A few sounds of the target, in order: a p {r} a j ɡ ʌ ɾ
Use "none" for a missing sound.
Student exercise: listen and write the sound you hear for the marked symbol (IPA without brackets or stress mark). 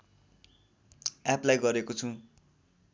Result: l